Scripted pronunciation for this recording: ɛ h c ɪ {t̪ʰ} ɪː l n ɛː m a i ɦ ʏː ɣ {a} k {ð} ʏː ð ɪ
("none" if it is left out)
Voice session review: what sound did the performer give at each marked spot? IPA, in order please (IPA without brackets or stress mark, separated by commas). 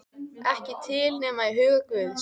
t̪ʰ, a, v